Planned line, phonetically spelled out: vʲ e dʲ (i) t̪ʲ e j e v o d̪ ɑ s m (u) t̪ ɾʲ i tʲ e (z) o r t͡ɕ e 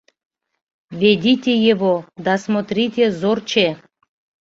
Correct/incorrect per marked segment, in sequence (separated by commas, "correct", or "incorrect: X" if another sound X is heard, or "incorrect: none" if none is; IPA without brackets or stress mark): correct, incorrect: o, correct